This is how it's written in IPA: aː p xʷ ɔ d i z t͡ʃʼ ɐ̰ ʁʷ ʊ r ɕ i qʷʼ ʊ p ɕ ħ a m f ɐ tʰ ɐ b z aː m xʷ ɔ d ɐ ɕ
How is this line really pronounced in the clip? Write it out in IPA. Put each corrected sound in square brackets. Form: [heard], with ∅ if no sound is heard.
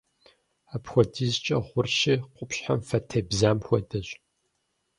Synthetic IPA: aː p xʷ ɔ d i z t͡ʃʼ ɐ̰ ʁʷ ʊ r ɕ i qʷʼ ʊ p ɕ ħ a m f ɐ tʰ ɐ b z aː m xʷ ɔ d ɐ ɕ